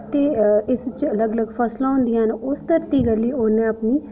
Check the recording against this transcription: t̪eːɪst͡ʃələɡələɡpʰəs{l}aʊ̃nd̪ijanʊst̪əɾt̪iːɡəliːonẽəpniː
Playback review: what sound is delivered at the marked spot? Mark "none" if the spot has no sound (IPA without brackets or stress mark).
l